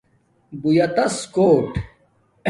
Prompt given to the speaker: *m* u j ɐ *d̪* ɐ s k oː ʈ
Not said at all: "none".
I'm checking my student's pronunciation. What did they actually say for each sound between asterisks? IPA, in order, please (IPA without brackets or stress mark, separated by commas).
b, t̪